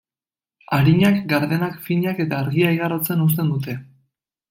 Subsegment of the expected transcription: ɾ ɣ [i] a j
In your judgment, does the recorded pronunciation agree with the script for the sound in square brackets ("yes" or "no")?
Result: yes